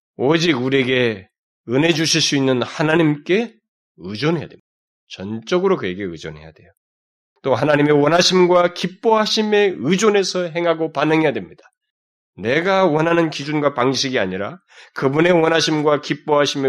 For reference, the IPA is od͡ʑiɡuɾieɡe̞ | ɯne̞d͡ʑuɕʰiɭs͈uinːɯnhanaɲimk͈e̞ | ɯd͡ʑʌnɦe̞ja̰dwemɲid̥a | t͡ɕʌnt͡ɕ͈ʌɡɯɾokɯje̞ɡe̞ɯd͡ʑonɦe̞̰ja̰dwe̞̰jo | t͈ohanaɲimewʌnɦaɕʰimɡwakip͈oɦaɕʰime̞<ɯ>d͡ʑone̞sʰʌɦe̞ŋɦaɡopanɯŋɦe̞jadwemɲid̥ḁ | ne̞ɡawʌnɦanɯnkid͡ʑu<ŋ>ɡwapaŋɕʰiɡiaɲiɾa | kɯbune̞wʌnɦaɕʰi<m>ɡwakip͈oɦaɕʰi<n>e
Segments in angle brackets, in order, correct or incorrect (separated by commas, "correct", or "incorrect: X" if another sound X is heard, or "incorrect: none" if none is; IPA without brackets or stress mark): correct, incorrect: n, correct, incorrect: m